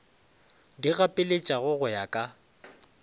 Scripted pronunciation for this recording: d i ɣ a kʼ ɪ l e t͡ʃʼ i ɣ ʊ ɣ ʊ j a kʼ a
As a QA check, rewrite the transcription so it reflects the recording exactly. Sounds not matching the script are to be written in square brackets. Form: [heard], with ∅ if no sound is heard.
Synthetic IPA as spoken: d i ɣ a [pʼ] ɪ l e t͡ʃʼ [a] ɣ ʊ ɣ ʊ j a kʼ a

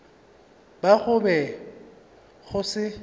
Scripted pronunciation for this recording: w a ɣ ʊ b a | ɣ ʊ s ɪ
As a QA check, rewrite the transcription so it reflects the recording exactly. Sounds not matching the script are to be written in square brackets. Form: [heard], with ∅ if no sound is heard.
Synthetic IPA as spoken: [b] a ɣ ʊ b [ɛ] | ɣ ʊ s ɪ

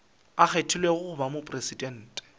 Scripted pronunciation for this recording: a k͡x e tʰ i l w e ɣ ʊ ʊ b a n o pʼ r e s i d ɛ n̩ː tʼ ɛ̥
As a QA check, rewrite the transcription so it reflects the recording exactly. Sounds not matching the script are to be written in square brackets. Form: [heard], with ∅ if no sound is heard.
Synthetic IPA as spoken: a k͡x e tʰ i l w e ɣ ʊ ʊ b a [m] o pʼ r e s i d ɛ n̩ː tʼ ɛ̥

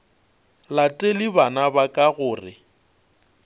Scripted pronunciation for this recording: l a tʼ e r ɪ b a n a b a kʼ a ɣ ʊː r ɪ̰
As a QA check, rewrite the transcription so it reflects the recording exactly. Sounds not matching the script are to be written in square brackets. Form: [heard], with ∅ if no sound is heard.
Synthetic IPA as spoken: l a tʼ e [l] ɪ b a n a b a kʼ a ɣ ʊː r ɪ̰

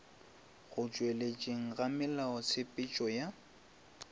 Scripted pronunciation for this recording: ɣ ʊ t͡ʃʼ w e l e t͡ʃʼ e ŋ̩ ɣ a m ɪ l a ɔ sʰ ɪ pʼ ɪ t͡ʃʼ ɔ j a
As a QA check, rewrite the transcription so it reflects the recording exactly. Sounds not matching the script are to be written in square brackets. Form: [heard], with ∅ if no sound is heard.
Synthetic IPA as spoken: ɣ ʊ t͡ʃʼ w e l e t͡ʃʼ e ŋ̩ ɣ a m ɪ l a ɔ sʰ ɪ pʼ ɪ t͡ʃʼ ɔ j a

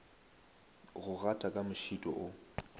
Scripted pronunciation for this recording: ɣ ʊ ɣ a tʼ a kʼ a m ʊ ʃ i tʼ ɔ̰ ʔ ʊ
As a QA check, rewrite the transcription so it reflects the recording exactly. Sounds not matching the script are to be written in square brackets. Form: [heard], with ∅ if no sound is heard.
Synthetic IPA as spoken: ɣ ʊ ɣ a tʼ a kʼ a m ʊ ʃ i tʼ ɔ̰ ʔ ʊ

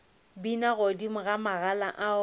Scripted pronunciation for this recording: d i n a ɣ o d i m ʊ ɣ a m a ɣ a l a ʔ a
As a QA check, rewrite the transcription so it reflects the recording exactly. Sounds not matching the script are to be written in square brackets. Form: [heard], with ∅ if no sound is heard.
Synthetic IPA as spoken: [b] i n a ɣ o d i m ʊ ɣ a m a ɣ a l a ʔ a

